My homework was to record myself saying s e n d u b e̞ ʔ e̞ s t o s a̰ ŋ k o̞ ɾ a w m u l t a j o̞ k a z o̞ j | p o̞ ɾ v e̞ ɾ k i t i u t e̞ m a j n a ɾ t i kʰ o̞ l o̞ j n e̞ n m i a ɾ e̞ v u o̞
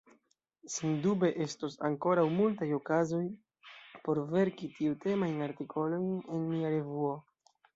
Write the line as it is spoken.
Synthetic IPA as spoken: s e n d u b e̞ ʔ e̞ s t o s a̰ ŋ k o̞ ɾ a w m u l t a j o̞ k a z o̞ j | p o̞ ɾ v e̞ ɾ k i t i u t e̞ m a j n a ɾ t i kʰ o̞ l o̞ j n e̞ n m i a ɾ e̞ v u o̞

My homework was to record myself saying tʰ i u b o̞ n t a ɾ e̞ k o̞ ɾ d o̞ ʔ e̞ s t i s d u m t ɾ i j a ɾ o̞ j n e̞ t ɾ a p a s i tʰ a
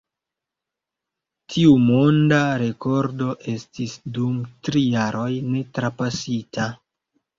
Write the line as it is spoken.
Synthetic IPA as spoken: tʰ i u m o̞ n d a ɾ e̞ k o̞ ɾ d o̞ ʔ e̞ s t i s d u m t ɾ i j a ɾ o̞ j n e̞ t ɾ a p a s i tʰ a

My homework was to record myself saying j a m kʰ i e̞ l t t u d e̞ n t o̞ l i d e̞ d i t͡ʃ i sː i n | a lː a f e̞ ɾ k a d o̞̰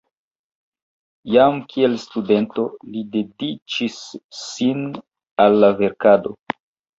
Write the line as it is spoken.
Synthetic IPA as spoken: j a m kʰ i e̞ l s t u d e̞ n t o̞ l i d e̞ d i t͡ʃ i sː i n | a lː a v e̞ ɾ k a d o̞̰

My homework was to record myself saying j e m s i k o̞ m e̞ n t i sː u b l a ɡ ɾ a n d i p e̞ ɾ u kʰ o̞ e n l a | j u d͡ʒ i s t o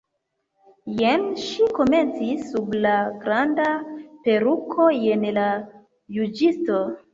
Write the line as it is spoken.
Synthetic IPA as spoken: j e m ʃ i k o̞ m e̞ n t͡s i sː u b l a ɡ ɾ a n d a p e̞ ɾ u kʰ o̞ e n l a | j u d͡ʒ i s t o

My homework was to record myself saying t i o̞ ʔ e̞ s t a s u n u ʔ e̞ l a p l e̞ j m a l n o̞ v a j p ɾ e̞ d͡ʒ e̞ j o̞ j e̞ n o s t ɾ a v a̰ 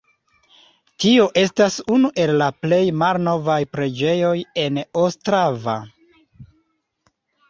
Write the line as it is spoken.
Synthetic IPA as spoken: t i o̞ ʔ e̞ s t a s u n u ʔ e̞ lː a p l e̞ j m a l n o̞ v a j p ɾ e̞ d͡ʒ e̞ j o̞ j e̞ n o s t ɾ a v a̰

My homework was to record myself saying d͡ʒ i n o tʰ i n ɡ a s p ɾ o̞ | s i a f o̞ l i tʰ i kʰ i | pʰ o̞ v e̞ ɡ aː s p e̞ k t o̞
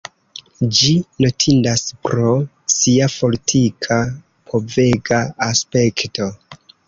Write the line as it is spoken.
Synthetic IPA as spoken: d͡ʒ i n o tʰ i n d a s p ɾ o̞ | s i a f o̞ l i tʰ i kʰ a | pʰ o̞ v e̞ ɡ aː s p e̞ k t o̞

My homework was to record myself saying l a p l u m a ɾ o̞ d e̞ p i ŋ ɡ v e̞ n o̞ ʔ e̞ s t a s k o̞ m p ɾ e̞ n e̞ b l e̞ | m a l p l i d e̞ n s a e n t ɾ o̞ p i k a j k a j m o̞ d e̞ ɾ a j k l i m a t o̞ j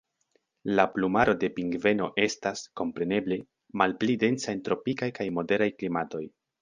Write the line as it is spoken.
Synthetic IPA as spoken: l a p l u m a ɾ o̞ d e̞ p i ŋ ɡ v e̞ n o̞ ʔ e̞ s t a s k o̞ m p ɾ e̞ n e̞ b l e̞ | m a l p l i d e̞ n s a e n t ɾ o̞ p i k a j k a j m o̞ d e̞ ɾ a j k l i m a t o̞ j

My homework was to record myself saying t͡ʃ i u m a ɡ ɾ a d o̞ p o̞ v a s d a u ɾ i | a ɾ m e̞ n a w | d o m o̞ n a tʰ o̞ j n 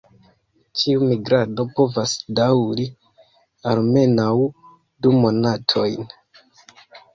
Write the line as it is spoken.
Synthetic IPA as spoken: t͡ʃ i u m i ɡ ɾ a d o̞ p o̞ v a s d a w ɾ i | a l m e̞ n a w | d u m o̞ n a tʰ o̞ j n

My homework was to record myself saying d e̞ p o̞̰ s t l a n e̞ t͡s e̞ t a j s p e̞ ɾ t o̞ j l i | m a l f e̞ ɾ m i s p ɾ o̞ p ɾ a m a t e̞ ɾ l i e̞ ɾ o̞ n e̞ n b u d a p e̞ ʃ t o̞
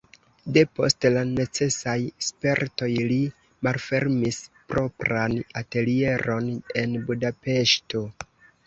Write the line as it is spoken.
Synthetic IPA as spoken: d e̞ p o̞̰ s t l a n e̞ t͡s e̞ s a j s p e̞ ɾ t o̞ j l i | m a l f e̞ ɾ m i s p ɾ o̞ p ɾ a n a t e̞ l i e̞ ɾ o̞ n e̞ n b u d a p e̞ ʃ t o̞

